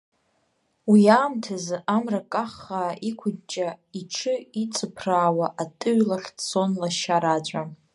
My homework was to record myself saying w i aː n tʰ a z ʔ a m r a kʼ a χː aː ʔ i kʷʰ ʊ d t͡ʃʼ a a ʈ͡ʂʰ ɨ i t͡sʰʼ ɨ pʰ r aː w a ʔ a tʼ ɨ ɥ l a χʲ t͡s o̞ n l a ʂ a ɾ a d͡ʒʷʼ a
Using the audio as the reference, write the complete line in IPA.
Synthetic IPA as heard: w i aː m tʰ a z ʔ a m r a kʼ a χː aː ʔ i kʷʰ ʊ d t͡ʃʼ a i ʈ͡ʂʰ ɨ i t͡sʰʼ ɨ pʰ r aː w a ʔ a tʼ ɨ ɥ l a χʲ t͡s o̞ n l a ʃ a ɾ a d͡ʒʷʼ a